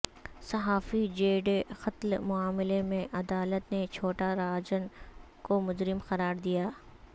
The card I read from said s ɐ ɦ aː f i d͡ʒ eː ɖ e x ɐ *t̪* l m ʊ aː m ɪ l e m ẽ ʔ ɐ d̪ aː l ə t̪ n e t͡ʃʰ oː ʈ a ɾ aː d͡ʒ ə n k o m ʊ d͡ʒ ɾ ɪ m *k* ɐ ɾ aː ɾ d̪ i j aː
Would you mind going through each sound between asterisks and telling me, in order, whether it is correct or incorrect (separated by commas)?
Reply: correct, incorrect